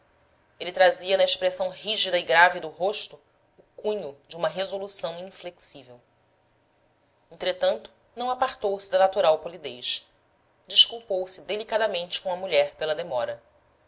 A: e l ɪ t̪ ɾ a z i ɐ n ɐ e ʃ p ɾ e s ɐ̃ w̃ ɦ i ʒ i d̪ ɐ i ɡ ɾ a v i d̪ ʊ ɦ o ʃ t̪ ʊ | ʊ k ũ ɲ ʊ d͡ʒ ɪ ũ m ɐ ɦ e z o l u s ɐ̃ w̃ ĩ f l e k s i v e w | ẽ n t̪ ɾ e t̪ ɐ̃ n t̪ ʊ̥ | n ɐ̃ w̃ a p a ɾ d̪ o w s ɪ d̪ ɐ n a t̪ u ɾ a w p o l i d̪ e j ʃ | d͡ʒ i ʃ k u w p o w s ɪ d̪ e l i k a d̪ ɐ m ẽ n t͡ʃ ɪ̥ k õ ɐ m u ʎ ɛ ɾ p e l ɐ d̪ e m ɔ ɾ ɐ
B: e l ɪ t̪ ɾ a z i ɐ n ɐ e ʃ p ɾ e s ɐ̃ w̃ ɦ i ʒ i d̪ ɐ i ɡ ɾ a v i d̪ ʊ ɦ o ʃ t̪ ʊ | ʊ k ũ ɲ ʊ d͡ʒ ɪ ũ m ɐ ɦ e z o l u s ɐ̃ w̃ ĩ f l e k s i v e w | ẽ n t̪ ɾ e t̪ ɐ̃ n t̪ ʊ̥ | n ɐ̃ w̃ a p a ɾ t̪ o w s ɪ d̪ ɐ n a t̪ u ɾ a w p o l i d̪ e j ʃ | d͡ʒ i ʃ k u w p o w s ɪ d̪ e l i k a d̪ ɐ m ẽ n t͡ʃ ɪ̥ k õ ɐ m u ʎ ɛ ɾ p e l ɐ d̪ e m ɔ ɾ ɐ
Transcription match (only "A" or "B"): B